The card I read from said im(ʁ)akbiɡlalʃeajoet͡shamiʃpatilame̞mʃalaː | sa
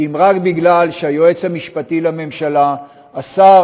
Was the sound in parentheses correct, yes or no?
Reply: yes